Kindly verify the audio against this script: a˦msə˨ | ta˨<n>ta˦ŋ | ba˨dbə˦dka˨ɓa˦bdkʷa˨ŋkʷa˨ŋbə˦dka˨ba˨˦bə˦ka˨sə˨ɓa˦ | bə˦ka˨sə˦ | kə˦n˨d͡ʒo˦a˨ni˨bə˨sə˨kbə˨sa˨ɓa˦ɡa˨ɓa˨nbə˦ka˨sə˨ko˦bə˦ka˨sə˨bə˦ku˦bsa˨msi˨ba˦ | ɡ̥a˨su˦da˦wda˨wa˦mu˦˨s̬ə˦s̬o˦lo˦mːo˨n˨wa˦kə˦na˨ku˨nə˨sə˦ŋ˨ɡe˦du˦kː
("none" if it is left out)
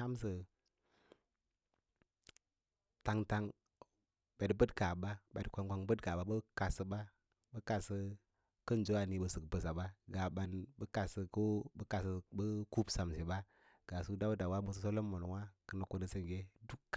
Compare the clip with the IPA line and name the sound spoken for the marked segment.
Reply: ŋ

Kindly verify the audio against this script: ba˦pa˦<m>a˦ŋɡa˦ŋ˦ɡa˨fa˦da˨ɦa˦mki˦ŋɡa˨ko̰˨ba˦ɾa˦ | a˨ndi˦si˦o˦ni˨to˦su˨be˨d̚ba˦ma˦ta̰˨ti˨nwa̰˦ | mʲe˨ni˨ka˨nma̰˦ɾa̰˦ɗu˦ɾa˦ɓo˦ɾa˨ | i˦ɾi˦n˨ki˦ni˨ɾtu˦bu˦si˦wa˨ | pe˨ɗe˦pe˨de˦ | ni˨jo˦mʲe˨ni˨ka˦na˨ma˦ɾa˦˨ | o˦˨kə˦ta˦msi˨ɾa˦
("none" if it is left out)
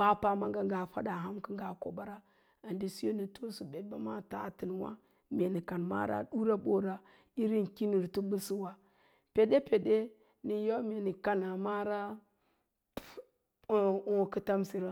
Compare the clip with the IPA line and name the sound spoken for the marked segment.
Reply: m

